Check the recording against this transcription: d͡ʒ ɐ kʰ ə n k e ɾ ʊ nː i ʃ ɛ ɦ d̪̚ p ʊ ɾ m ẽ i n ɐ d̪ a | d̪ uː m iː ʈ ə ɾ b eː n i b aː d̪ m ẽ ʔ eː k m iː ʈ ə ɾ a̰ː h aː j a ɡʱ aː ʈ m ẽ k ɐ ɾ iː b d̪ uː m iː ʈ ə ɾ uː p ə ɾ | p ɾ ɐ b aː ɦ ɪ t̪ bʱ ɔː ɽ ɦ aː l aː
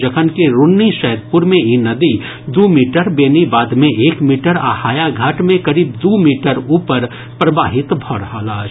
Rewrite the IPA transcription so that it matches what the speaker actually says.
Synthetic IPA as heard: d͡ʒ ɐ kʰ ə n k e ɾ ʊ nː i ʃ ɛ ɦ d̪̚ p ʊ ɾ m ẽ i n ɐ d̪ i | d̪ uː m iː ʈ ə ɾ b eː n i b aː d̪ m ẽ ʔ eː k m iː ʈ ə ɾ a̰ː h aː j a ɡʱ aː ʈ m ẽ k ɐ ɾ iː b d̪ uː m iː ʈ ə ɾ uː p ə ɾ | p ɾ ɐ b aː ɦ ɪ t̪ bʱ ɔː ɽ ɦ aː l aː